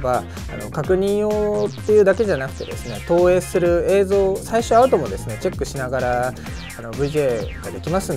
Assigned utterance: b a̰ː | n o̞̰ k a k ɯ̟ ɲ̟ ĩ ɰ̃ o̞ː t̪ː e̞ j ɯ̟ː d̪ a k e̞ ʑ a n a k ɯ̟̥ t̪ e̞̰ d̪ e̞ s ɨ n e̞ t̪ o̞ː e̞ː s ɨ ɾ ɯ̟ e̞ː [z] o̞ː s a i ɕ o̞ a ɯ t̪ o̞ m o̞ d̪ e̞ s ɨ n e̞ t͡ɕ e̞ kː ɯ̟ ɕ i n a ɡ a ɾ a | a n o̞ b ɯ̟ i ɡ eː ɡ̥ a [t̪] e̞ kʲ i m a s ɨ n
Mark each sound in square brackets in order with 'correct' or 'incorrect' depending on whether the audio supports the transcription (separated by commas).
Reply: correct, incorrect